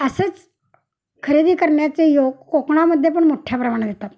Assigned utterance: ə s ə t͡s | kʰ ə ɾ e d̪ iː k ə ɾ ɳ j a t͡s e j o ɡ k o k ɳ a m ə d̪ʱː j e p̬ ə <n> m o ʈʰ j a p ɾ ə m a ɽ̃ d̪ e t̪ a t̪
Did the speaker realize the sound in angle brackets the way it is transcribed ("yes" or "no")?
no